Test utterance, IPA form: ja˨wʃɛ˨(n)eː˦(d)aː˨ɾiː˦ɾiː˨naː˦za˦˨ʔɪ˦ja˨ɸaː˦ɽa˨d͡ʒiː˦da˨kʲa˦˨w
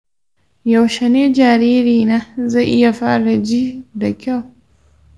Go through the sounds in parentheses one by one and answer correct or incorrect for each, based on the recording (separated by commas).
correct, incorrect